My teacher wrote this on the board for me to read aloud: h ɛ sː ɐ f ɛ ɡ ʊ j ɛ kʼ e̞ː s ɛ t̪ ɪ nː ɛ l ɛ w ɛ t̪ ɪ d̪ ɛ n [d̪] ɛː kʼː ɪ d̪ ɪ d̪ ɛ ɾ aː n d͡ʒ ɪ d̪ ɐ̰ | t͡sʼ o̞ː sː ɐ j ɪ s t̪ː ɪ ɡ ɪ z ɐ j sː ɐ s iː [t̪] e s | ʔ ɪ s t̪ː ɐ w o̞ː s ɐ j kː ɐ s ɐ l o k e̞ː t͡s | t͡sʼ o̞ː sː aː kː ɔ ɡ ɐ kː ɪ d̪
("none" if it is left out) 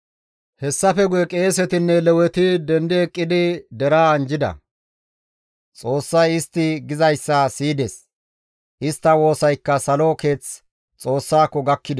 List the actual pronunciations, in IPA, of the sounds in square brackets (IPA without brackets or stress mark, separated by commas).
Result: d̪, d̪